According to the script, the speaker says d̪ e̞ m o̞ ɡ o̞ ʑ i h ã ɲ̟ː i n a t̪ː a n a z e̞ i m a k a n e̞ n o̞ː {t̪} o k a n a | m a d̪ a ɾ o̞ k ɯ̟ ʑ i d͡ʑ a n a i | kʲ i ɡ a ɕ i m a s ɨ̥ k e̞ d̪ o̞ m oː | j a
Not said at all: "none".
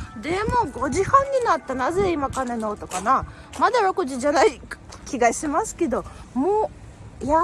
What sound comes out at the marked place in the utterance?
t̪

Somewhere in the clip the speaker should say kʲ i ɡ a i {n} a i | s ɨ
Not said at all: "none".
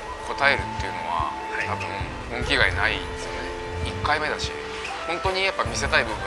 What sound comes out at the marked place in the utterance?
n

